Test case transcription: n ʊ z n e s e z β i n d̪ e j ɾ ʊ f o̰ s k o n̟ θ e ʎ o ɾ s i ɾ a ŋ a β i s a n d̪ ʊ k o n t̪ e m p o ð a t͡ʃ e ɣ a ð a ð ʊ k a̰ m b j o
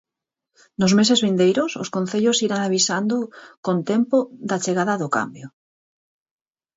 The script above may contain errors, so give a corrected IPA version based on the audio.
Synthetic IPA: n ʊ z m e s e z β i n d̪ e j ɾ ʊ s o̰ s k o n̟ θ e ʎ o s i ɾ a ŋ a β i s a n d̪ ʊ k o n t̪ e m p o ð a t͡ʃ e ɣ a ð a ð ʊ k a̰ m b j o